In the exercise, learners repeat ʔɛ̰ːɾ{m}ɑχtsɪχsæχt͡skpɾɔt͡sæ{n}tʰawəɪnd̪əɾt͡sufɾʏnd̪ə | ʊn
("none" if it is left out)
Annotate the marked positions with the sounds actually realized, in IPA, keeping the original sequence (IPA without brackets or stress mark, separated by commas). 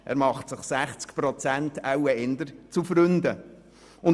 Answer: m, n